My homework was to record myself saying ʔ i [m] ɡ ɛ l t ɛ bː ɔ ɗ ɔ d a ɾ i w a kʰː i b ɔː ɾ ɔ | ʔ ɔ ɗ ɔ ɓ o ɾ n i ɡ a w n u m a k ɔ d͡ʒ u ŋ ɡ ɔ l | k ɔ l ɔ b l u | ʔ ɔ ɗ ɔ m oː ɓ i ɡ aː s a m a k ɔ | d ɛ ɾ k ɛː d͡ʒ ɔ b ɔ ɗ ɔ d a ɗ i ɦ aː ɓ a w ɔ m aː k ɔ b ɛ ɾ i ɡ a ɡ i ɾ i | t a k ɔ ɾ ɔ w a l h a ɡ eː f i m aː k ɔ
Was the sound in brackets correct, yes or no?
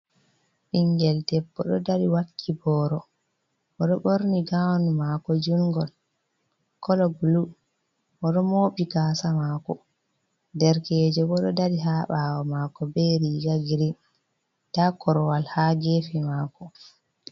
no